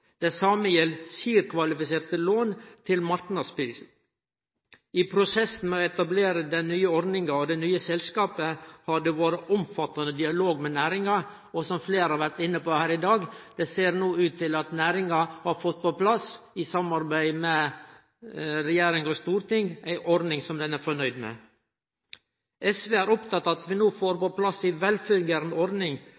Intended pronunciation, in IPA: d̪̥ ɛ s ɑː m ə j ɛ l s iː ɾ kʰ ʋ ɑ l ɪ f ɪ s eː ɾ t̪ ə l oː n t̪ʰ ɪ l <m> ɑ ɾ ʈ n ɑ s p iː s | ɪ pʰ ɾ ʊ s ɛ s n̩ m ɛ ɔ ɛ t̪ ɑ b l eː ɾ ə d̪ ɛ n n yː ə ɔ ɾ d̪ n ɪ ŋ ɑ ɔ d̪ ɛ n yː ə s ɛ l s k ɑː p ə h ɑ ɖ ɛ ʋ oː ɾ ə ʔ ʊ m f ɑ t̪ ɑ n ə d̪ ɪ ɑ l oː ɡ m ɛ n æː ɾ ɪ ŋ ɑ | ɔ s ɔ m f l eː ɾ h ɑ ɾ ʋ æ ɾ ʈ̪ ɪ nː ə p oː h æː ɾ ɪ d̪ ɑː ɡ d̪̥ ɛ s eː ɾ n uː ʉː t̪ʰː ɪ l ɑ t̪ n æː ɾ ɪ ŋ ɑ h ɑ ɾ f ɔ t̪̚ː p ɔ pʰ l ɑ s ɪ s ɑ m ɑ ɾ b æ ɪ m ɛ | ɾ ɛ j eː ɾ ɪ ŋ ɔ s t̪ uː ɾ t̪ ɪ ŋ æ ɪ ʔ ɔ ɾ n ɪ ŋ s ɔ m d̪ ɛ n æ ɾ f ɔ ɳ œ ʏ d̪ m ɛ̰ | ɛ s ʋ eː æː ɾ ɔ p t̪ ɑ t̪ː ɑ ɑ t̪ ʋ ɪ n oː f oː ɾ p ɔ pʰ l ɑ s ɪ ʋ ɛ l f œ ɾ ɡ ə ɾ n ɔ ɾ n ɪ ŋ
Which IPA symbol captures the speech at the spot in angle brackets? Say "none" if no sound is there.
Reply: m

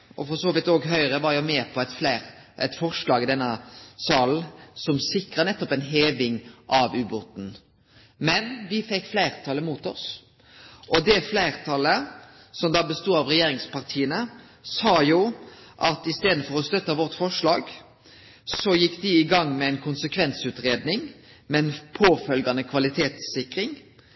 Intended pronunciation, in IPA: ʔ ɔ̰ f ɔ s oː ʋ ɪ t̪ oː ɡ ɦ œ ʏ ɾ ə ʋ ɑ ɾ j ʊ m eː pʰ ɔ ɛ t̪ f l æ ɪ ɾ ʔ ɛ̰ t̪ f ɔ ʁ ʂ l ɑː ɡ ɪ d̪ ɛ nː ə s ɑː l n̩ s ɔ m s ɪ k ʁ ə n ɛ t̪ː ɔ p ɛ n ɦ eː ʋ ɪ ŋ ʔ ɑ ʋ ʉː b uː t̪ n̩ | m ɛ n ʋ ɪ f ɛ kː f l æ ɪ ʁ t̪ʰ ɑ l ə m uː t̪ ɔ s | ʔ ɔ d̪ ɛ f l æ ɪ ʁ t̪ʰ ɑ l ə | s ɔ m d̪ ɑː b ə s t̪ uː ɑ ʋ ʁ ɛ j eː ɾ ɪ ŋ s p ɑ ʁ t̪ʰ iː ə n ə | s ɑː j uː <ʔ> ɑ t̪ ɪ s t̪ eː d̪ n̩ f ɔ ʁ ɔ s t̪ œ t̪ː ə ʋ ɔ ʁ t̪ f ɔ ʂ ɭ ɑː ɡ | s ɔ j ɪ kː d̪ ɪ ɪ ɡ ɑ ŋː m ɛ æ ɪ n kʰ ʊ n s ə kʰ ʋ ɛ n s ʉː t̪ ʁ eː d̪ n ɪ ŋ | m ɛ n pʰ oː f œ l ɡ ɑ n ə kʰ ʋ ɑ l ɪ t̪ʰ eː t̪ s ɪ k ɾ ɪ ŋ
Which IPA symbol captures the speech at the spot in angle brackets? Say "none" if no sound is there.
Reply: ʔ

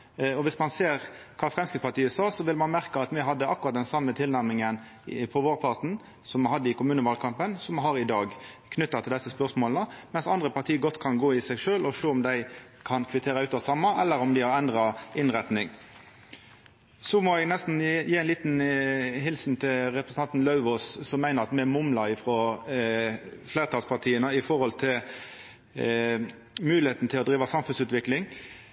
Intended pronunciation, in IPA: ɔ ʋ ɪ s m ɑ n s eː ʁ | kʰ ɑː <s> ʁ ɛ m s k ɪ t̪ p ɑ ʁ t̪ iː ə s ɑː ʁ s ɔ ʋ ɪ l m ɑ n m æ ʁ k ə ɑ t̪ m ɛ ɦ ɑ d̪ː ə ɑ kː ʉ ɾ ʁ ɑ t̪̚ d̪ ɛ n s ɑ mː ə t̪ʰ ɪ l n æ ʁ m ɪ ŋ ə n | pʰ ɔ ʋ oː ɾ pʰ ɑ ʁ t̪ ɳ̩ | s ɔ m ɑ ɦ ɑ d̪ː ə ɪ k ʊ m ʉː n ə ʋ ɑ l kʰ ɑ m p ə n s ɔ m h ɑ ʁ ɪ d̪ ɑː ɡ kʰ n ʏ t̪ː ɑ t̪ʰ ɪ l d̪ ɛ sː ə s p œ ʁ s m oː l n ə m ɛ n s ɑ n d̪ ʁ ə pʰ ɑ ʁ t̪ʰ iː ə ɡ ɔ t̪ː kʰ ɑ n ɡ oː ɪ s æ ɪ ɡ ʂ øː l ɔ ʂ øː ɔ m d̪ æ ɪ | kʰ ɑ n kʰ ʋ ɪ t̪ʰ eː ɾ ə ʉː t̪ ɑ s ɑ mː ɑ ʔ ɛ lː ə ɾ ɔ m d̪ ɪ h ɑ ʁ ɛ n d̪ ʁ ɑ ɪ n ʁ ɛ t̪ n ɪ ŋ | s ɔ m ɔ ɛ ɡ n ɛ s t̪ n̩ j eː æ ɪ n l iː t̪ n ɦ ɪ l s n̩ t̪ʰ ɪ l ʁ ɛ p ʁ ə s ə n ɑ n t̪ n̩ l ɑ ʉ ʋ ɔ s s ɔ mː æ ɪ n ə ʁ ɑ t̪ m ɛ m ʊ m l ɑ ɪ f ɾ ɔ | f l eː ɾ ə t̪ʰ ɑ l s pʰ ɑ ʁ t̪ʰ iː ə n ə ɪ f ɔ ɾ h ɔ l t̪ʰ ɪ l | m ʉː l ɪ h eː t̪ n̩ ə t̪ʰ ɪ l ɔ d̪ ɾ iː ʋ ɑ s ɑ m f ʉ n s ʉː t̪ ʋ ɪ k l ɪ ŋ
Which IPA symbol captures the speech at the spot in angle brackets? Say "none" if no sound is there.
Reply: f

